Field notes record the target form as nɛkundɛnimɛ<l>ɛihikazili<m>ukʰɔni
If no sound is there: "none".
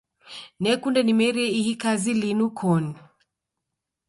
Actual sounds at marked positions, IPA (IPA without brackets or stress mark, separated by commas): ɾ, n